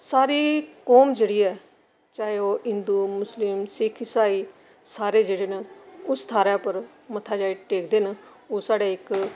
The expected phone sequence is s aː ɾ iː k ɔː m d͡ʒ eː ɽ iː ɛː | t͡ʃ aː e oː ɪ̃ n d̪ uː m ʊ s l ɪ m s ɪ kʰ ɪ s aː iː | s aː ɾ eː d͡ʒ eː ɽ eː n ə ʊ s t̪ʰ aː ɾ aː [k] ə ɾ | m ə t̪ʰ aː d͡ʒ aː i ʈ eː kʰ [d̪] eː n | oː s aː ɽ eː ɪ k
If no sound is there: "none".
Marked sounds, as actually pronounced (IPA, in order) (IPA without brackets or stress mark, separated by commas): p, d̪